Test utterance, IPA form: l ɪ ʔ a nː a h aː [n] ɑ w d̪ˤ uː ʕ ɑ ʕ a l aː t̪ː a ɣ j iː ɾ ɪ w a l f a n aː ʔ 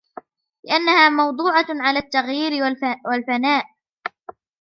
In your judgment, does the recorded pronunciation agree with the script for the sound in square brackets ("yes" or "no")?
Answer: no